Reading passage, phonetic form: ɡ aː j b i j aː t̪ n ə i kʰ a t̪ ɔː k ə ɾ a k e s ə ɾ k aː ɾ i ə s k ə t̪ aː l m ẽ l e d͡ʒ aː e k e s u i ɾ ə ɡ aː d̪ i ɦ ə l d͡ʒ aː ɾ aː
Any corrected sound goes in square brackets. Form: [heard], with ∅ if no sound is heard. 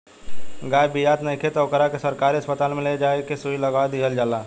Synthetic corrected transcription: ɡ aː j b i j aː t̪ n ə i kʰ [e] t̪ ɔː k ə ɾ a k e s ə ɾ k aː ɾ i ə s [p] ə t̪ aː l m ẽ l e d͡ʒ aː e k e s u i [l] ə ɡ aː d̪ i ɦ ə l d͡ʒ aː [l] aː